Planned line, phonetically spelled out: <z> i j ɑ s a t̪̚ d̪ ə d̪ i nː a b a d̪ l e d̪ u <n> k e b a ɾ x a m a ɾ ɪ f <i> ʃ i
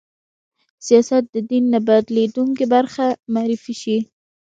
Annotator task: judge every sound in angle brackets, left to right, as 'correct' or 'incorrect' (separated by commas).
incorrect, incorrect, correct